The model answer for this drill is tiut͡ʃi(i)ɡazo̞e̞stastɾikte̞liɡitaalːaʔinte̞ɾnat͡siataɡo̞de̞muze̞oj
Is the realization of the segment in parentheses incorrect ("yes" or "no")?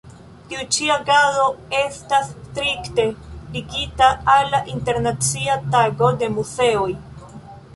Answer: yes